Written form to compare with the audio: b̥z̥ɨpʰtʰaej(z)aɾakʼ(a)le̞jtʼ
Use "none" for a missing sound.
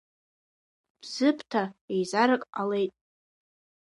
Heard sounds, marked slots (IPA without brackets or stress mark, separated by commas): z, a